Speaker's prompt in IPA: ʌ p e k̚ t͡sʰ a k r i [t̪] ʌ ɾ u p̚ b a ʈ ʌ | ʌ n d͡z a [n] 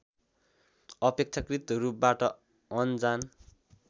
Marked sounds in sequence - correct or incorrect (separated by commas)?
correct, correct